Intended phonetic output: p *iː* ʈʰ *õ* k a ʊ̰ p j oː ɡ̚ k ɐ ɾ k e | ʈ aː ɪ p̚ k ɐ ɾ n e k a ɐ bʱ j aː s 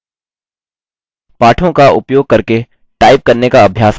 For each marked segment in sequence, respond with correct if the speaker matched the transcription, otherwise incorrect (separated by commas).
incorrect, correct